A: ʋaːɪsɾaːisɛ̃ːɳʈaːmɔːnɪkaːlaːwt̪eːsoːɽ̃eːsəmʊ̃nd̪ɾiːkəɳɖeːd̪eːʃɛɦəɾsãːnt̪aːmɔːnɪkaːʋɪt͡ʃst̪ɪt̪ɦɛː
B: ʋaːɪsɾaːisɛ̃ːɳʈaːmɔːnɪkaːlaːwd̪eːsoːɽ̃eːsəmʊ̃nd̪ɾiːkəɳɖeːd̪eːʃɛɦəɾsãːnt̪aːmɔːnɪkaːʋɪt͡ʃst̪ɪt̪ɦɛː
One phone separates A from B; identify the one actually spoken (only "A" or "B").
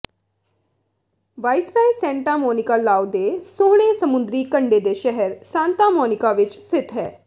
B